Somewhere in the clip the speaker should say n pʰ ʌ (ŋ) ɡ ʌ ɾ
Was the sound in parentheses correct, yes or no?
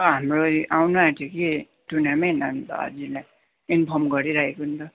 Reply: no